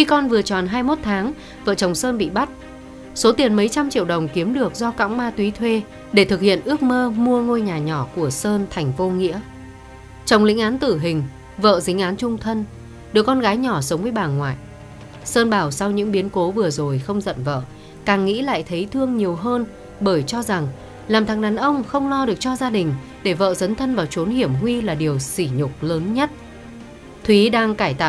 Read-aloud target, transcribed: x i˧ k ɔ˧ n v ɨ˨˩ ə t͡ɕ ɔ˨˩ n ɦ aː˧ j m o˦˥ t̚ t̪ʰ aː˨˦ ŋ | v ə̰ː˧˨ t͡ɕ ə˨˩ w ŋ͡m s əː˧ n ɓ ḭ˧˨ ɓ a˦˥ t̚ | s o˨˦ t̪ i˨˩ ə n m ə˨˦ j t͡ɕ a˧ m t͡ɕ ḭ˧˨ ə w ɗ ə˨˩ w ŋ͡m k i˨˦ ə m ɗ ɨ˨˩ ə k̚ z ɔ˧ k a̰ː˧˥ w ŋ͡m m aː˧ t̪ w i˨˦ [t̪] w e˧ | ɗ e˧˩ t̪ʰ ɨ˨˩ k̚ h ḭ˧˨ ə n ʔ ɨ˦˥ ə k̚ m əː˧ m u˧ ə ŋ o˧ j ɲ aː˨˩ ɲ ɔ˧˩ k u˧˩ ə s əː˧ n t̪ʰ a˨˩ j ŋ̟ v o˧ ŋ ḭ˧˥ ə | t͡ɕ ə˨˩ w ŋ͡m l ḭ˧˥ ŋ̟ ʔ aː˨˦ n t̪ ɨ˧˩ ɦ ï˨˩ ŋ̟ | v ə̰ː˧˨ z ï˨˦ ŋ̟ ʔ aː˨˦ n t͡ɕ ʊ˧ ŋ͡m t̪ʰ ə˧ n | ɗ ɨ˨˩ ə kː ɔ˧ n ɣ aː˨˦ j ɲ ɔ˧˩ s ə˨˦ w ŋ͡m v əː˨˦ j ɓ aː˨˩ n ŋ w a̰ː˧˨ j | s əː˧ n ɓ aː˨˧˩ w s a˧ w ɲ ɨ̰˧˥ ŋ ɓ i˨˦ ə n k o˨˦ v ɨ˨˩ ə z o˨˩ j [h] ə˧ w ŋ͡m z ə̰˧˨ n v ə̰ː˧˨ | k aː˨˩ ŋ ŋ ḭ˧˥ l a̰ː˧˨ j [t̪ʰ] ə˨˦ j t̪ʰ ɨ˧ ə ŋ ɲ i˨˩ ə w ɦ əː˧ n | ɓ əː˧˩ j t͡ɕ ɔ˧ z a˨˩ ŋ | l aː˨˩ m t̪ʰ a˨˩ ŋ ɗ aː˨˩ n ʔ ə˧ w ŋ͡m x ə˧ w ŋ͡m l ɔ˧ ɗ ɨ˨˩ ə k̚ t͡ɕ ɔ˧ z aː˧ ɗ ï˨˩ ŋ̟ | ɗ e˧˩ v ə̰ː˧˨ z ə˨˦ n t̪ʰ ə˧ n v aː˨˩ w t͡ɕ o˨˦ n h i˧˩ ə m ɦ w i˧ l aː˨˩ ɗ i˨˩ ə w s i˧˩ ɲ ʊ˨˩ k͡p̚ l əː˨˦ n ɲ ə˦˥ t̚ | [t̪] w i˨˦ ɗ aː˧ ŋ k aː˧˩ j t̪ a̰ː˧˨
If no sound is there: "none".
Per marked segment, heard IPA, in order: t̪ʰ, x, t̪ʰ, t̪ʰ

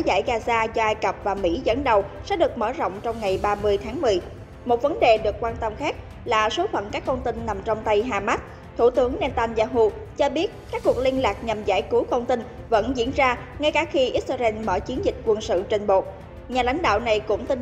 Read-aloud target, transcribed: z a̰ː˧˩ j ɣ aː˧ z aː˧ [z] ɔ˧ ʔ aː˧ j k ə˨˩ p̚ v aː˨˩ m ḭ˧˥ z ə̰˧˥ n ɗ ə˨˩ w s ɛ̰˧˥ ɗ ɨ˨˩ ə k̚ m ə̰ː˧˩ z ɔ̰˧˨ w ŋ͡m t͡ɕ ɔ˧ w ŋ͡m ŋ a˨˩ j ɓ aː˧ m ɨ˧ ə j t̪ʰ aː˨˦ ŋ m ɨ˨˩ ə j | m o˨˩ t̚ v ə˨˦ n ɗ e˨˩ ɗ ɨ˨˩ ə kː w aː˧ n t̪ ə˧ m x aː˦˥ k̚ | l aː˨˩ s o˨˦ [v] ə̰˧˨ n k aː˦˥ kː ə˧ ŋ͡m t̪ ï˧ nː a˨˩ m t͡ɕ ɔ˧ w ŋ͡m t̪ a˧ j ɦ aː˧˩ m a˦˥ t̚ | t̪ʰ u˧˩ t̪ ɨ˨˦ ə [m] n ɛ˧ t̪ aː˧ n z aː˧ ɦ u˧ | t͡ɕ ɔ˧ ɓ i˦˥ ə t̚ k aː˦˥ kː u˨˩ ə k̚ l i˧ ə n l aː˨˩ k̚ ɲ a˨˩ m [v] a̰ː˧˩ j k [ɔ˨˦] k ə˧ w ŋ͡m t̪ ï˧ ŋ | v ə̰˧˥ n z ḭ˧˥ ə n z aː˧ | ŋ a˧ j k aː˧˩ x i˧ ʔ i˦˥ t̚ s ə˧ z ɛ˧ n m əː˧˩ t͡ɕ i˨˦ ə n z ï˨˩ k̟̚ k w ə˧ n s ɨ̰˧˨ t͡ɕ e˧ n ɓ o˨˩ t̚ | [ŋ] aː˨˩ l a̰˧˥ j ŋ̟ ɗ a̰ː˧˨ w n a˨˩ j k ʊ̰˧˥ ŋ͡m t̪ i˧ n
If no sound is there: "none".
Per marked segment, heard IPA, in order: z, f, ŋ, z, u˨˦, ɲ

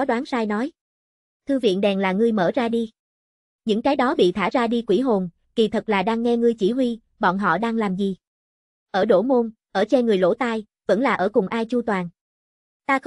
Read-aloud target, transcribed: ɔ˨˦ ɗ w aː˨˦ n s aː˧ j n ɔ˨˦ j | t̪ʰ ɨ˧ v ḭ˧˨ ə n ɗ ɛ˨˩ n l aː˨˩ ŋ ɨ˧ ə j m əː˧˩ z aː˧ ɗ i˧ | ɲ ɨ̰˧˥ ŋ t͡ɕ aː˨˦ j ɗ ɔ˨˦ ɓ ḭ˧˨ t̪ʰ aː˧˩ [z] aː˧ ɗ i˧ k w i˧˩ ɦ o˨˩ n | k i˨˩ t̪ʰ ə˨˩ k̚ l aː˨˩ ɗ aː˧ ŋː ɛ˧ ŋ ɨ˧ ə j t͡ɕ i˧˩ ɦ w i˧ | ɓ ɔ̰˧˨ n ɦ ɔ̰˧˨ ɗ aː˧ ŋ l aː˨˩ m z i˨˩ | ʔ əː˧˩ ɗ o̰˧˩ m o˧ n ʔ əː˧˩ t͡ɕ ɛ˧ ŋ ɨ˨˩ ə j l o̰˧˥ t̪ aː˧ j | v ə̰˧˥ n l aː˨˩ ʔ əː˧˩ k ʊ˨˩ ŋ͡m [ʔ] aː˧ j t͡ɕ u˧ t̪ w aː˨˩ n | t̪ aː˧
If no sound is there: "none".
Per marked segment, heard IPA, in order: z, ʔ

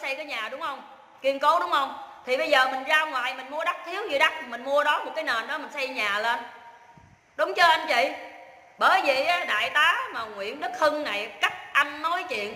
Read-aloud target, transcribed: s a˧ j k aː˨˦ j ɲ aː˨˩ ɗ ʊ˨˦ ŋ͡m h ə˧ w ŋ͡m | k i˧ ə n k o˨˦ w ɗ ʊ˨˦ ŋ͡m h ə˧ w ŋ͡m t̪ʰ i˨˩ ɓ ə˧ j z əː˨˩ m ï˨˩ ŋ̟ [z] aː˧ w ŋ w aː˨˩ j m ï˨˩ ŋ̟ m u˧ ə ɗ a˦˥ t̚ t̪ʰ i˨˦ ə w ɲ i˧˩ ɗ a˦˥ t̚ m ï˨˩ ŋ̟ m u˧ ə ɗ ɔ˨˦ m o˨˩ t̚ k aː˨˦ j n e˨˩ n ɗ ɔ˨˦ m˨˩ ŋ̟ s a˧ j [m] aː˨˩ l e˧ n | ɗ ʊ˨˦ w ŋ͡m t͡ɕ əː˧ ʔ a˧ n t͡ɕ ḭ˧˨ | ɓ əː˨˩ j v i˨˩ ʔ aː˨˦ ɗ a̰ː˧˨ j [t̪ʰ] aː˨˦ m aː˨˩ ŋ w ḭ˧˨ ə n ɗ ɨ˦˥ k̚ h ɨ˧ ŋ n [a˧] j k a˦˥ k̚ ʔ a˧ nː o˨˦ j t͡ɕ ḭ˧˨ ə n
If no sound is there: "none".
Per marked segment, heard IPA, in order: z, ɲ, t̪, a˨˩

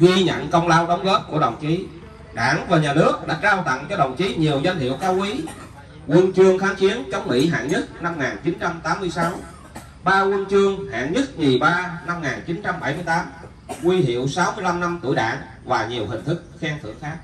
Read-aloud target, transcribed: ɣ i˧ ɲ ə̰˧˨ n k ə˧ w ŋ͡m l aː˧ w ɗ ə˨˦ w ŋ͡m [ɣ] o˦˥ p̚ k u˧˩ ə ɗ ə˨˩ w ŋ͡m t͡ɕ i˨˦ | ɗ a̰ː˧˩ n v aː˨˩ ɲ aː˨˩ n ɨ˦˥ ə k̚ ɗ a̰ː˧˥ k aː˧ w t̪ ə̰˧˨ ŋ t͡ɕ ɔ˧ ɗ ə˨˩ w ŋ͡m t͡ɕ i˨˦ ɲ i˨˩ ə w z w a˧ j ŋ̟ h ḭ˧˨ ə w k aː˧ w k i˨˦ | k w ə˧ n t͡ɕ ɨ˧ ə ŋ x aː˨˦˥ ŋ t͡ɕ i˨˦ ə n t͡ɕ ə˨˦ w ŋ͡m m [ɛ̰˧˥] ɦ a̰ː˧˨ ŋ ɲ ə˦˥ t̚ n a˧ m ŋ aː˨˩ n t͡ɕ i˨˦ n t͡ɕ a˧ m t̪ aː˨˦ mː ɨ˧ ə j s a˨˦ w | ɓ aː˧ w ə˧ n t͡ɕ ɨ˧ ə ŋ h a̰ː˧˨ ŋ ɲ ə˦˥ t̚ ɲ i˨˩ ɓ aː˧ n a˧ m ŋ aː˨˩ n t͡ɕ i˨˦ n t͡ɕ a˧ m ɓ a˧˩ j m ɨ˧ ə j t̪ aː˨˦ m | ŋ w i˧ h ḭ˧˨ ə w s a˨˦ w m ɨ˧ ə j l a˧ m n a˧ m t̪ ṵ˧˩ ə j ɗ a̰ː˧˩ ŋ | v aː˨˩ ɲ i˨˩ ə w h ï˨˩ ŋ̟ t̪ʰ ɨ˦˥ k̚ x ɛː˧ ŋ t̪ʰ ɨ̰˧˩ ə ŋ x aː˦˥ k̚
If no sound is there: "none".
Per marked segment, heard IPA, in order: ɣ, ḭ˧˥

